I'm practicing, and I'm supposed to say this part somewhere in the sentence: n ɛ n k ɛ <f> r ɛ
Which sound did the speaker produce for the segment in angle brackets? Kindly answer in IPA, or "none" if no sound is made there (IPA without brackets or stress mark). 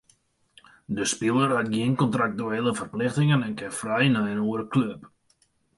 f